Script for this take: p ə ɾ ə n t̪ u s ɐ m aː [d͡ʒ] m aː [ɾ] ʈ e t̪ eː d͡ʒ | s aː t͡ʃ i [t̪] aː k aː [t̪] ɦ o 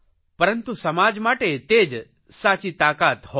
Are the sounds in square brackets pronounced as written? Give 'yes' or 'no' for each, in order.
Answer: yes, no, yes, yes

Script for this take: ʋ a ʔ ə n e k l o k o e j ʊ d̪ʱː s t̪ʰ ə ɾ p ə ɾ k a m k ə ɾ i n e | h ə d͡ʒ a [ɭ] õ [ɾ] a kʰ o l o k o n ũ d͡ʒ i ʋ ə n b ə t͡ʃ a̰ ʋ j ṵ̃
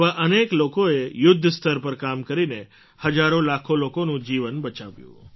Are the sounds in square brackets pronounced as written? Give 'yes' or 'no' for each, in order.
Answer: no, no

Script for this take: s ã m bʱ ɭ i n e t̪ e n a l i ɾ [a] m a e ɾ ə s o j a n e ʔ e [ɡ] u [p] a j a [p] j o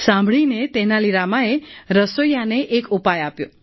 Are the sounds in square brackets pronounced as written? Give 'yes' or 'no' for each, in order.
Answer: yes, no, yes, yes

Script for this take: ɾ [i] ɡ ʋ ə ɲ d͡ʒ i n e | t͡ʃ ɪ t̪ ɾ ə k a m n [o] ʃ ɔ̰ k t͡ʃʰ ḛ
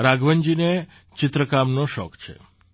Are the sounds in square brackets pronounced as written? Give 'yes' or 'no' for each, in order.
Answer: no, yes

